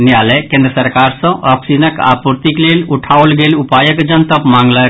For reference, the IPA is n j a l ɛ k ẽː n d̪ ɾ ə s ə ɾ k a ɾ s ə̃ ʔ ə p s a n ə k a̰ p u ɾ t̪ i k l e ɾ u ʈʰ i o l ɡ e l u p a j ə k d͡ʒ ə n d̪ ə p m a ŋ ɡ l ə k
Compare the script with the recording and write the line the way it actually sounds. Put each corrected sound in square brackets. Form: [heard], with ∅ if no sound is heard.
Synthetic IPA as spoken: n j a l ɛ k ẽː n d̪ ɾ ə s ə ɾ k a ɾ s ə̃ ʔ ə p s [i] n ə k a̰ p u ɾ t̪ i k l e [l] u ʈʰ [a] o l ɡ e l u p a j ə k d͡ʒ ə n [t̪] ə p m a ŋ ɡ l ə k